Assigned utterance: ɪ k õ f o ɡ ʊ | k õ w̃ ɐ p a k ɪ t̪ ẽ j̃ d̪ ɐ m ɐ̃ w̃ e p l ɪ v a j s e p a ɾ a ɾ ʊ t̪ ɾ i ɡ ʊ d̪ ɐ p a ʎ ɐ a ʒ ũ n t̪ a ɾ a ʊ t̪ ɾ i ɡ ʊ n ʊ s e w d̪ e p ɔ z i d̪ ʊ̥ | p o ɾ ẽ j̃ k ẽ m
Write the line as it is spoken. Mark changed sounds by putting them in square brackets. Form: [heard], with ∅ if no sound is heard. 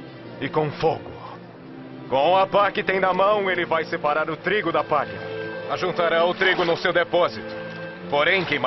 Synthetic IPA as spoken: ɪ k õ f o ɡ ʊ | k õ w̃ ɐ p a k ɪ t̪ ẽ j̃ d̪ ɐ m ɐ̃ w̃ e [∅] l ɪ v a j s e p a ɾ a ɾ ʊ t̪ ɾ i ɡ ʊ d̪ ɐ p a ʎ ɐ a ʒ ũ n t̪ a ɾ a ʊ t̪ ɾ i ɡ ʊ n ʊ s e w d̪ e p ɔ z i [t̪] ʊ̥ | p o ɾ ẽ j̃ k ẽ m